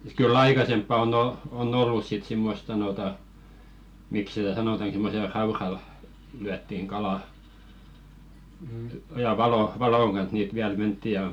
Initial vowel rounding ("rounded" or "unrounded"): rounded